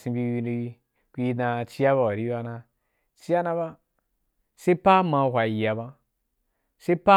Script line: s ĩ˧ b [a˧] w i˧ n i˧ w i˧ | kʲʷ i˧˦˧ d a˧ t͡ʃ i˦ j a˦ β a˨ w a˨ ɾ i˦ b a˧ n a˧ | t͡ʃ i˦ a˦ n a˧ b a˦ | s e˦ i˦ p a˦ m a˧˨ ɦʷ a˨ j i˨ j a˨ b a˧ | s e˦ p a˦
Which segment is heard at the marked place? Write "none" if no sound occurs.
i˧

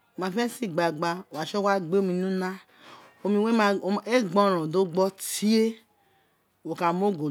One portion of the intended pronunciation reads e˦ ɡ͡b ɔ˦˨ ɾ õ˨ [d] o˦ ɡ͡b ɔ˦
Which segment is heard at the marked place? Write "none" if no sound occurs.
d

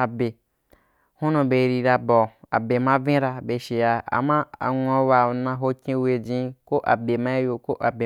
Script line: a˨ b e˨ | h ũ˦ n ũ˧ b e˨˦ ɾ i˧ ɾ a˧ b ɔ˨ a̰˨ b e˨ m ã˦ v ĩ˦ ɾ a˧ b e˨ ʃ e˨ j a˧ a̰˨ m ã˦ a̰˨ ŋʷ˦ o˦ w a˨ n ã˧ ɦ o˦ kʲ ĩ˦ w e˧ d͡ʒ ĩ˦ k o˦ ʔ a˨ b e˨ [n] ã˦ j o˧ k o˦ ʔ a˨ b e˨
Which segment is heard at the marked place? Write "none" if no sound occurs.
m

